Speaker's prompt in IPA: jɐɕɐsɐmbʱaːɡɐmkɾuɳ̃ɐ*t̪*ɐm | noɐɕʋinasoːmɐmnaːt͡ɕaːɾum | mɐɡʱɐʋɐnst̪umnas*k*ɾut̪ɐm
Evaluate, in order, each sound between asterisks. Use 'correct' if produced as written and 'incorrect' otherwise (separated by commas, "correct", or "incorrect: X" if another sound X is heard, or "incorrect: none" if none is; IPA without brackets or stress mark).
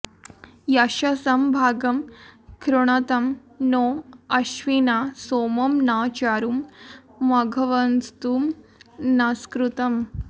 correct, correct